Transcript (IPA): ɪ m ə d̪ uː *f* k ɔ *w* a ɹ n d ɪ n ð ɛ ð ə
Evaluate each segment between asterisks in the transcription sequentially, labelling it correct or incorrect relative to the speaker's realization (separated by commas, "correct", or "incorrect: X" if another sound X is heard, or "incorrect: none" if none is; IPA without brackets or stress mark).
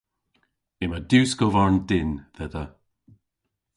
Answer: incorrect: s, incorrect: v